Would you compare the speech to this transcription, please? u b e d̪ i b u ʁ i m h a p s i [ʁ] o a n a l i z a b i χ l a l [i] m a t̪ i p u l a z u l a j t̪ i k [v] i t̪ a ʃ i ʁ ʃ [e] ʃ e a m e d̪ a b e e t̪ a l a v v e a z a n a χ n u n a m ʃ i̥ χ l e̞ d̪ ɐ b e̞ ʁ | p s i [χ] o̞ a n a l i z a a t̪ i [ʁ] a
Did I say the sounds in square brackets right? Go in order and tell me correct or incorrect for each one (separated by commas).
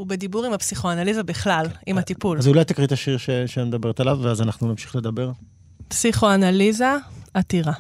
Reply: incorrect, correct, incorrect, correct, correct, correct